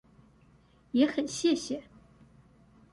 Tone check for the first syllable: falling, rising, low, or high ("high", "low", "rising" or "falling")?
rising